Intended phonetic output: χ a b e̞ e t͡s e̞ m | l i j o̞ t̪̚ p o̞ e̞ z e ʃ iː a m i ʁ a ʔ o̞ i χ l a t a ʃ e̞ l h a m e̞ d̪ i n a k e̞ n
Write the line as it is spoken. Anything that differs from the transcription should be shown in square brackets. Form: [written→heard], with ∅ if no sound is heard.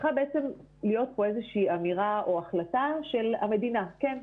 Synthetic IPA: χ a b e̞ e t͡s e̞ m | l i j o̞ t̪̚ p o̞ e̞ z e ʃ iː a m i ʁ a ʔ o̞ [i→a] χ l a t a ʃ e̞ l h a m e̞ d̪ i n a k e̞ n